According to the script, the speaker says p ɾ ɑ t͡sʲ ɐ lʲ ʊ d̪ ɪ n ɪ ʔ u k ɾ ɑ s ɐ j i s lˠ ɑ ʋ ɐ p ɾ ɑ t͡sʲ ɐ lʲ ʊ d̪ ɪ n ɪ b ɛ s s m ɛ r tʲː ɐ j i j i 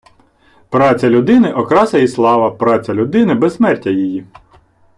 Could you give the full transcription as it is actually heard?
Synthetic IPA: p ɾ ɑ t͡sʲ ɐ lʲ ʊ d̪ ɪ n ɪ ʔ ɔ k ɾ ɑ s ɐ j i s lˠ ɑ ʋ ɐ p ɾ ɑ t͡sʲ ɐ lʲ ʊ d̪ ɪ n ɪ b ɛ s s m ɛ r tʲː ɐ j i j i